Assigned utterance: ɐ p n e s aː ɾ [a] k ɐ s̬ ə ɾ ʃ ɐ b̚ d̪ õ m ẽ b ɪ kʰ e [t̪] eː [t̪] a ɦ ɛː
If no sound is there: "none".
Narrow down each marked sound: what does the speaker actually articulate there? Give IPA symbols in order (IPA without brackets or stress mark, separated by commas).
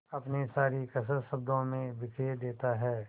i, d̪, t̪